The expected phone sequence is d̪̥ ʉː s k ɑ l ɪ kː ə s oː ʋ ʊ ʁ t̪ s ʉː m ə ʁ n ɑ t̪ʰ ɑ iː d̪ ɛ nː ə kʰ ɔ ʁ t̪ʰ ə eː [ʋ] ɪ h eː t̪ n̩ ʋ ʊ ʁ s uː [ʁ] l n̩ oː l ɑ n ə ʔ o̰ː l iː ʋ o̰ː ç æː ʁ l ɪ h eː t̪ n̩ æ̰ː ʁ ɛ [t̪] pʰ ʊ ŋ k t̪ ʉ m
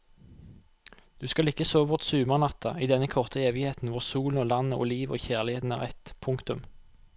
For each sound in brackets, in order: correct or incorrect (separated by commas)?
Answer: correct, incorrect, correct